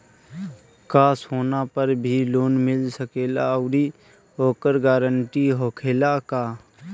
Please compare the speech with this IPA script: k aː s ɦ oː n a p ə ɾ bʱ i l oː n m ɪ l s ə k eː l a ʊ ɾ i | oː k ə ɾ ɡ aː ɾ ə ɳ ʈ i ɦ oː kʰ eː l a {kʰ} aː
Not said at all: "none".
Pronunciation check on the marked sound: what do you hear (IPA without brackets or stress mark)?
k